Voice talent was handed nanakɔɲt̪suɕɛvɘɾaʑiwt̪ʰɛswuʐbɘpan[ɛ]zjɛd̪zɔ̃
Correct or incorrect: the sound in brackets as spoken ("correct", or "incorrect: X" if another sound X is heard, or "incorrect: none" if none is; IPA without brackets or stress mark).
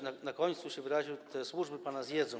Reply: incorrect: a